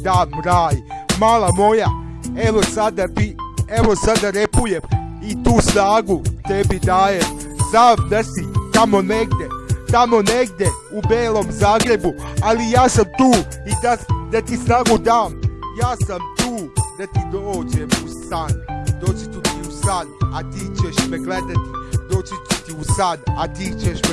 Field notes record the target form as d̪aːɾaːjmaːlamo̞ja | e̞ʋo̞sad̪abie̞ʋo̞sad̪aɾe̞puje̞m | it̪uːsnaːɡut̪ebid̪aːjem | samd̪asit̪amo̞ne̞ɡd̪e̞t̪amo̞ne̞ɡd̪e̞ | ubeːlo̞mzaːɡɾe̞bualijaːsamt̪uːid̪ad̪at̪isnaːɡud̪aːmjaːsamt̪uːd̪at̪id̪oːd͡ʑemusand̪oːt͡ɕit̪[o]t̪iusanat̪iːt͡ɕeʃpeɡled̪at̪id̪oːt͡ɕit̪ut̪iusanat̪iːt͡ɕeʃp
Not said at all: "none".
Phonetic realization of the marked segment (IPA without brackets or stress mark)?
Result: u